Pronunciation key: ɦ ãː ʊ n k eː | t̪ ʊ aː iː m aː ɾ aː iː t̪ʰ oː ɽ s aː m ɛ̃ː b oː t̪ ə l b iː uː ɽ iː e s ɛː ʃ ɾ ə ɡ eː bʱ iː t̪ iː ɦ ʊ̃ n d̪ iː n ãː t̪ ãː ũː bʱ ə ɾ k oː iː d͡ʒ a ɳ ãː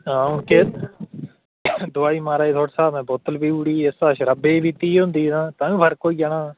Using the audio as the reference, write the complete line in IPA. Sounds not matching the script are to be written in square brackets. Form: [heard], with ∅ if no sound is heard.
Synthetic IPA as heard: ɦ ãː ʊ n k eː | [d̪] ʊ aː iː m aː ɾ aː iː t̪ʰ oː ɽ s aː m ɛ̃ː b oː t̪ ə l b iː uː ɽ iː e s [aː] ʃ ɾ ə [b] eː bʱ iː t̪ iː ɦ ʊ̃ n d̪ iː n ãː t̪ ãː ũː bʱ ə ɾ k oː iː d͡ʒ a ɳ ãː